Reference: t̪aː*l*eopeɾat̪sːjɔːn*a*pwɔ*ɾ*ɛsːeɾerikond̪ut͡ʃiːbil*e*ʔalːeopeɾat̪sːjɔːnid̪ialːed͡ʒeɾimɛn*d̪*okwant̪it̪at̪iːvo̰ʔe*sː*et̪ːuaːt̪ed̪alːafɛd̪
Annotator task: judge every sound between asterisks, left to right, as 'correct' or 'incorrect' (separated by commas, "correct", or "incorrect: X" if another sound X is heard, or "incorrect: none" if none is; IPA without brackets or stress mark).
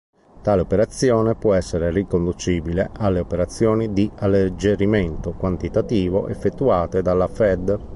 correct, incorrect: e, incorrect: none, correct, incorrect: t̪, incorrect: fː